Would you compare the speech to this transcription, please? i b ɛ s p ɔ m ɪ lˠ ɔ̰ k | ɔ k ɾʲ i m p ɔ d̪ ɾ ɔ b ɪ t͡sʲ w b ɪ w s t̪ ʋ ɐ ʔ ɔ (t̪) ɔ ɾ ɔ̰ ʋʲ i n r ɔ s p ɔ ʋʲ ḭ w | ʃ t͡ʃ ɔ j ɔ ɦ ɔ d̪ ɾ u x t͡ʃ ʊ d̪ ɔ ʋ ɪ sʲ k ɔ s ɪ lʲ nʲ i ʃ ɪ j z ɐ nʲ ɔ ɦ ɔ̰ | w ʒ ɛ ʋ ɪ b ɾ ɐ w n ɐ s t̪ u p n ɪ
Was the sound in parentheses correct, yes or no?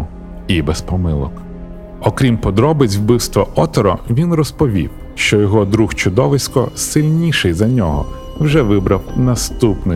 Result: yes